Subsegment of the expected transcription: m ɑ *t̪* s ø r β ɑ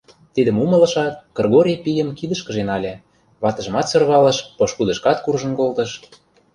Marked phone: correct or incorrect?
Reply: correct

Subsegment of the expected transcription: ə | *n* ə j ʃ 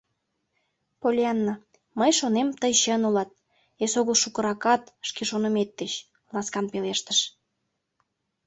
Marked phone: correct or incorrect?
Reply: incorrect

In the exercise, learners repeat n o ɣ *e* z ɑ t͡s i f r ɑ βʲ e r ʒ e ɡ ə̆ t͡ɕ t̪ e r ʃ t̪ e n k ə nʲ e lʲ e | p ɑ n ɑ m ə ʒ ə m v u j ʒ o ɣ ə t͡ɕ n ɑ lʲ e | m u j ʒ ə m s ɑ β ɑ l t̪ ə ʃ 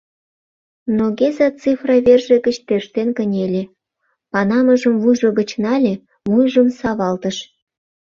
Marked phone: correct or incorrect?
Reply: correct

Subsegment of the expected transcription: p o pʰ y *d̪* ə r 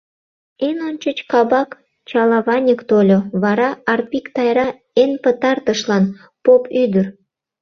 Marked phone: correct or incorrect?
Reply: correct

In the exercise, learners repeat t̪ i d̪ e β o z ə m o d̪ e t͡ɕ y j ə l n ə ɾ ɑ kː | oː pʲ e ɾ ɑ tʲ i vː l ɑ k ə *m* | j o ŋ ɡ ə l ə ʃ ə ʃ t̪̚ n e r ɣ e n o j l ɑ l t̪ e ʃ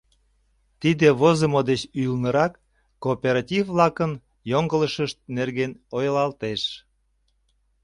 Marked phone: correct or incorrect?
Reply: incorrect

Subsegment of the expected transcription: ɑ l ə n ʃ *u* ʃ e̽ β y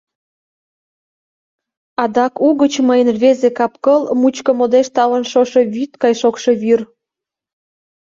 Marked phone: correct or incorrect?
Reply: incorrect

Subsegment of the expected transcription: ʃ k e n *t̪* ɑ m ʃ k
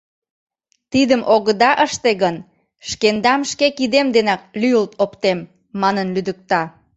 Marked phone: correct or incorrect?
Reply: incorrect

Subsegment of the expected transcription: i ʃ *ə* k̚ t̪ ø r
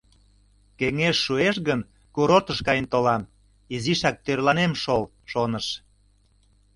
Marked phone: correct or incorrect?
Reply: incorrect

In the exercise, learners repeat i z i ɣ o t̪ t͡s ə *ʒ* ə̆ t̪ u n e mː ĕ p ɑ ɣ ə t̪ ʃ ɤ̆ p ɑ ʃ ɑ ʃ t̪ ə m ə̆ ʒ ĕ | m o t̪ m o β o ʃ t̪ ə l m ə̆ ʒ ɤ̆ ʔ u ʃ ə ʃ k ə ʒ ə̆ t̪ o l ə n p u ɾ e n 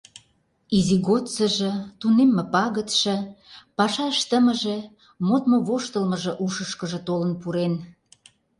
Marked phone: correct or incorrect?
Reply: correct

